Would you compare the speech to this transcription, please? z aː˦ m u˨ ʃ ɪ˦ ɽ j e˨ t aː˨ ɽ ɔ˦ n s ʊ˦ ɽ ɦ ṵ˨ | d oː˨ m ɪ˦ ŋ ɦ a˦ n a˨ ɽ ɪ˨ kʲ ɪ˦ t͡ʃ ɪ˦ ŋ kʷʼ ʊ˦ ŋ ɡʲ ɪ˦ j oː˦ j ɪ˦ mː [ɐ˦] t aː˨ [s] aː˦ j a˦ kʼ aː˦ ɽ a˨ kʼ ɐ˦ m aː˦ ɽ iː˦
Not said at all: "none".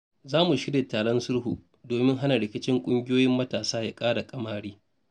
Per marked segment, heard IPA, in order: ɐ˦, s

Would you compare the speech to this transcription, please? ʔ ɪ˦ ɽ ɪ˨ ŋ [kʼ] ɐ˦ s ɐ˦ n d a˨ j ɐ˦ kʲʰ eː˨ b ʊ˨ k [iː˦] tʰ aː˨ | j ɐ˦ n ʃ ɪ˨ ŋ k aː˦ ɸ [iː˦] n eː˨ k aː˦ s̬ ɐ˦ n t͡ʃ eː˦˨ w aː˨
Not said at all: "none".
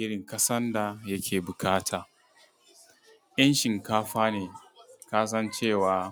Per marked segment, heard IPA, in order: k, aː˦, aː˦

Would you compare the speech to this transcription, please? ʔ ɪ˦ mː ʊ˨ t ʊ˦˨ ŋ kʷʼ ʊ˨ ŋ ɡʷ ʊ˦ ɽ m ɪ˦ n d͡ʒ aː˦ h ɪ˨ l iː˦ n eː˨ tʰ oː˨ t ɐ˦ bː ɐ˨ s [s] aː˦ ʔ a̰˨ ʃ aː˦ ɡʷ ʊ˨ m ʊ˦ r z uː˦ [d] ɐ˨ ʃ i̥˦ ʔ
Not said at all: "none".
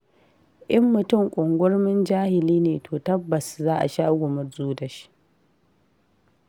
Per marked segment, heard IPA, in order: z, d

